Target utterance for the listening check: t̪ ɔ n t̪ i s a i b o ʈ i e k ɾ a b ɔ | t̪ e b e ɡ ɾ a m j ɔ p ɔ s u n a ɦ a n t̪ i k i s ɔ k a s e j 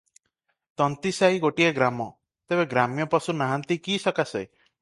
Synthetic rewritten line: t̪ ɔ n t̪ i s a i ɡ o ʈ i e ɡ ɾ a m ɔ | t̪ e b e ɡ ɾ a m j ɔ p ɔ s u n a ɦ a n t̪ i k i s ɔ k a s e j